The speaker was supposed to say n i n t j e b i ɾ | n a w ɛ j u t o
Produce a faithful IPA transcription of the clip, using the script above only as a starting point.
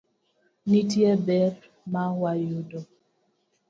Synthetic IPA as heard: n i t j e b ɛ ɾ | m a w a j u d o